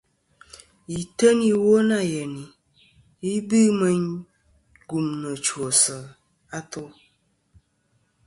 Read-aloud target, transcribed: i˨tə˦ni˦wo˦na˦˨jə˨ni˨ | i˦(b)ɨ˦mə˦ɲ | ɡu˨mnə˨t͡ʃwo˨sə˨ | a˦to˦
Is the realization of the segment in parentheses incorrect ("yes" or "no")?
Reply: no